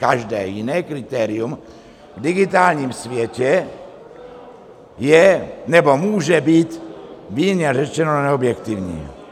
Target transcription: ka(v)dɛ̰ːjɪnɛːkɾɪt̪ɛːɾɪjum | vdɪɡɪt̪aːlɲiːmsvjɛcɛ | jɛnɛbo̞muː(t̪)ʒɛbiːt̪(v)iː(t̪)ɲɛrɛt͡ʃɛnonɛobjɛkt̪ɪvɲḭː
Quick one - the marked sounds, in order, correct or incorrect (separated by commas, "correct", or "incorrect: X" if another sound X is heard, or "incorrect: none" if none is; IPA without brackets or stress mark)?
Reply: incorrect: ʒ, incorrect: none, correct, incorrect: none